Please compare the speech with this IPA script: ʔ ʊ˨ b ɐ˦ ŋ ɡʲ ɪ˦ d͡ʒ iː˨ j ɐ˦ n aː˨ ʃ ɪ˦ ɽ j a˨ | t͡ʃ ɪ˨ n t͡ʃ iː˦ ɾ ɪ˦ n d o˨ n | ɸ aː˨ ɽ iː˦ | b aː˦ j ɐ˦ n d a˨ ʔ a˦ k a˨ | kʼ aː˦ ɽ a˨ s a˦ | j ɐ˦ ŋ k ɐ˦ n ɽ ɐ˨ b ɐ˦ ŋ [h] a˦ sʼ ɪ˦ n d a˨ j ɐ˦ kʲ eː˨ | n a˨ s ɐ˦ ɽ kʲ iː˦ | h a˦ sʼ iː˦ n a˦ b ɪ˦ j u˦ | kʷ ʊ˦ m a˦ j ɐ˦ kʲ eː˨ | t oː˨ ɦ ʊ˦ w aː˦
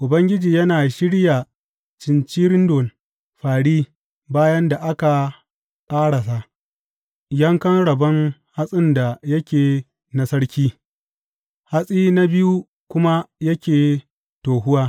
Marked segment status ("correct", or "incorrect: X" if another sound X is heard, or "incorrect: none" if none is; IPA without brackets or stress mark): correct